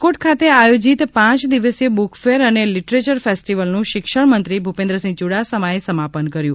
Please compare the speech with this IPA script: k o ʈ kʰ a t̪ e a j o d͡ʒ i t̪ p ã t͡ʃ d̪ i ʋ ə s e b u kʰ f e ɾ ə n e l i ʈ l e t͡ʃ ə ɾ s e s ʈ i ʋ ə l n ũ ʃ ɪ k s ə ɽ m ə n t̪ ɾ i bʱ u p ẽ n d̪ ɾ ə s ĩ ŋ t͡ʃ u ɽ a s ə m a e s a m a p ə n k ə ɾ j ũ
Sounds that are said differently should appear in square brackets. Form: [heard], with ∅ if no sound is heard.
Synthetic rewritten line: k o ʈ kʰ a t̪ e a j o d͡ʒ i t̪ p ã t͡ʃ d̪ i ʋ ə s e b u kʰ f e ɾ ə n e l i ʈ [ɾ] e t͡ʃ ə ɾ [f] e s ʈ i ʋ ə l n ũ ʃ ɪ k [ʃ] ə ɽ m ə n t̪ ɾ i bʱ u p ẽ n d̪ ɾ ə s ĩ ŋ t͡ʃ u ɽ a s ə m a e s [ə] m a p ə n k ə ɾ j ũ

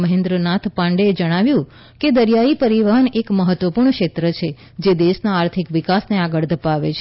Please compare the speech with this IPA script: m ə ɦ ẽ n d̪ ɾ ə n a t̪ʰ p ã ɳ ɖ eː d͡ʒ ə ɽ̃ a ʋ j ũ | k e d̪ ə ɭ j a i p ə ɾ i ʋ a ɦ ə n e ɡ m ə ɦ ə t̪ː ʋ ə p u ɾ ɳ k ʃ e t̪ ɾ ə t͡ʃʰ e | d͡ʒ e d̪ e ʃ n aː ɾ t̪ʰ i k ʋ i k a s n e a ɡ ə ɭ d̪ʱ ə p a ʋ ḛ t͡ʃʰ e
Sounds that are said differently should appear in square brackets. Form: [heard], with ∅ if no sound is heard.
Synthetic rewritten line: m ə ɦ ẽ n d̪ ɾ ə n a t̪ʰ p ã ɳ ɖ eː d͡ʒ ə ɽ̃ a ʋ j ũ | k e d̪ ə [ɾ] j a i p ə ɾ i ʋ a ɦ ə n e [k] m ə ɦ ə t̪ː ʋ ə p u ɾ ɳ k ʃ e t̪ ɾ ə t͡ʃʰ e | d͡ʒ e d̪ e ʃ n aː ɾ t̪ʰ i k ʋ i k a s n e a ɡ ə ɭ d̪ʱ ə p a ʋ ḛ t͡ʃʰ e

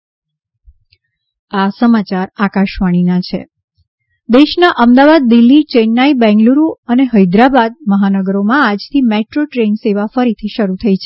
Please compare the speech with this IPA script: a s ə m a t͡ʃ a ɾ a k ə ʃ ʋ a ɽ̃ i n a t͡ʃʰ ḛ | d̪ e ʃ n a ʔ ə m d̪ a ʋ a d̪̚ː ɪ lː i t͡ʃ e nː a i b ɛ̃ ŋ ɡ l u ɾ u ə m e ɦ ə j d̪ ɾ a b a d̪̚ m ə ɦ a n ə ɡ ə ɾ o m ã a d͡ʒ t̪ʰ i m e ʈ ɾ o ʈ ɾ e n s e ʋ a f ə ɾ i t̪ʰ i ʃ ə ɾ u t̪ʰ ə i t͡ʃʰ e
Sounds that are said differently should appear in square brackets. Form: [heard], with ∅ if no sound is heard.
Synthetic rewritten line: a s ə m a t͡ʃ a ɾ a k [a] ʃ ʋ a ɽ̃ i n a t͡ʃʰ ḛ | d̪ e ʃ n a ʔ ə m d̪ a ʋ a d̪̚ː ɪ lː i t͡ʃ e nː a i b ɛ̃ ŋ ɡ l u ɾ u ə [n] e ɦ ə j d̪ ɾ a b a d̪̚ m ə ɦ a n ə ɡ ə ɾ o m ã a d͡ʒ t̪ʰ i m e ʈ ɾ o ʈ ɾ e n s e ʋ a f ə ɾ i t̪ʰ i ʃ ə ɾ u t̪ʰ ə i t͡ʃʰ e

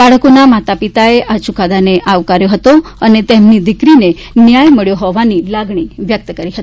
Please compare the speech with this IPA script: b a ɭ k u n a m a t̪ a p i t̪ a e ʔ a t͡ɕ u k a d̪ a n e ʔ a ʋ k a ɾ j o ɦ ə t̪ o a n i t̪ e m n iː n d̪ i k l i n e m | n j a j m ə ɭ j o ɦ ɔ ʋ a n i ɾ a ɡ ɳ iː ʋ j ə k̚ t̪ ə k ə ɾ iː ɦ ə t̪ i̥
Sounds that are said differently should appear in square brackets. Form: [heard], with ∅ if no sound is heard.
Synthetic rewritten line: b a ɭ k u n a m a t̪ a p i t̪ a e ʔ a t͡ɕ u k a d̪ a n e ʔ a ʋ k a ɾ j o ɦ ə t̪ o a n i t̪ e m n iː [∅] d̪ i k [ɾ] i n e [∅] | n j a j m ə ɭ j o ɦ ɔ ʋ a n i [l] a ɡ ɳ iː ʋ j ə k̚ t̪ ə k ə ɾ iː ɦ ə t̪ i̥

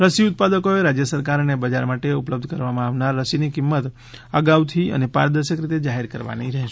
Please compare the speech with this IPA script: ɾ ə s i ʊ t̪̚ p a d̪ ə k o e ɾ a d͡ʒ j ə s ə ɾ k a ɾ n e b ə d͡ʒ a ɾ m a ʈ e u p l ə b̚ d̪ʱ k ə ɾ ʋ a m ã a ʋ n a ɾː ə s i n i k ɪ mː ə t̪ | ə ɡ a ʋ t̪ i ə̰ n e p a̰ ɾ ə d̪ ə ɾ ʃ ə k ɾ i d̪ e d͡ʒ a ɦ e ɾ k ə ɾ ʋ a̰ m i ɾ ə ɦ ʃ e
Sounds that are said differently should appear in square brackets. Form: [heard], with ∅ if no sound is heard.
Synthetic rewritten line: ɾ ə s i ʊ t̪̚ p a d̪ ə k o e ɾ a d͡ʒ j ə s ə ɾ k a ɾ n e b ə d͡ʒ a ɾ m a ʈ e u p l ə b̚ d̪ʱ k ə ɾ ʋ a m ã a ʋ n a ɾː ə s i n i k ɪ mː ə t̪ | ə ɡ a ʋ [t̪ʰ] i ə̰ n e p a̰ ɾ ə d̪ ə ɾ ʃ ə k ɾ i [t̪] e d͡ʒ a ɦ e ɾ k ə ɾ ʋ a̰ [n] i ɾ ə ɦ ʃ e

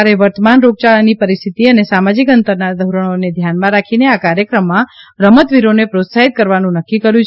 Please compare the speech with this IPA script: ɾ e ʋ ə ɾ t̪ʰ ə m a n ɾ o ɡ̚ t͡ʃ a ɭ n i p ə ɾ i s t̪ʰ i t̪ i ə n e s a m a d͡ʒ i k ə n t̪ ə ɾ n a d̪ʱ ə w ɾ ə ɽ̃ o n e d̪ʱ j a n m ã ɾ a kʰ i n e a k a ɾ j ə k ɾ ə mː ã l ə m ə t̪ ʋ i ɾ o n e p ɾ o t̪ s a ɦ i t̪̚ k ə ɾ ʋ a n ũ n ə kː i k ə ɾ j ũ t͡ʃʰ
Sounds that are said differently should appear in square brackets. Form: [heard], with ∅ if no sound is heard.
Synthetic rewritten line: ɾ e ʋ ə ɾ [t̪] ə m a n ɾ o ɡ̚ t͡ʃ a ɭ n i p ə ɾ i s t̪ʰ i t̪ i ə n e s a m a d͡ʒ i k ə n t̪ ə ɾ n a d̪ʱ ə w ɾ ə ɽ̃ o n e d̪ʱ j a n m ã ɾ a kʰ i n e a k a ɾ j ə k ɾ ə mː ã [ɾ] ə m ə t̪ ʋ i ɾ o n e p ɾ o t̪ s a ɦ i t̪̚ k ə ɾ ʋ a n ũ n ə kː i k ə ɾ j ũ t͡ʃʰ

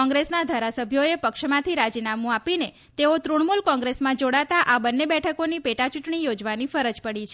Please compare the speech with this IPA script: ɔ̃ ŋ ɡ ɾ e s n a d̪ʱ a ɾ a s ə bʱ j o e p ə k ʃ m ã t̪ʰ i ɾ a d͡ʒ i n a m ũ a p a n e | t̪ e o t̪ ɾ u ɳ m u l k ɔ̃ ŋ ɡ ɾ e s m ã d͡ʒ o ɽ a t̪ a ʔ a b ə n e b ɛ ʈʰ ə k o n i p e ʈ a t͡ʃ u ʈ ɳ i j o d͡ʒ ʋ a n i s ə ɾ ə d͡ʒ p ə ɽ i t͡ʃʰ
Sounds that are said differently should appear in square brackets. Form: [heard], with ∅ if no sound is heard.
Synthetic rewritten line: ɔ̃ ŋ ɡ ɾ e s n a d̪ʱ a ɾ a s ə bʱ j o e p ə k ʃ m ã t̪ʰ i ɾ a d͡ʒ i n a m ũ a p [i] n e | t̪ e o t̪ ɾ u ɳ m u l k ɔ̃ ŋ ɡ ɾ e s m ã d͡ʒ o ɽ a t̪ a ʔ a b ə [nː] e b ɛ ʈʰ ə k o n i p e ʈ a t͡ʃ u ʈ ɳ i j o d͡ʒ ʋ a n i [f] ə ɾ ə d͡ʒ p ə ɽ i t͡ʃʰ

